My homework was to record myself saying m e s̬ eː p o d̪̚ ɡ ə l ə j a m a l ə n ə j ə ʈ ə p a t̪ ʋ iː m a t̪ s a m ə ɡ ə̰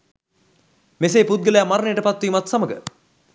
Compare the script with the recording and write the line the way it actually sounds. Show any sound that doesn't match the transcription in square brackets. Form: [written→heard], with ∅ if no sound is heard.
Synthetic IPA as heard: m e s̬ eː p [o→u] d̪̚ ɡ ə l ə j a m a [l→ɾ] ə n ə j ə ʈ ə p a t̪ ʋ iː m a t̪ s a m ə ɡ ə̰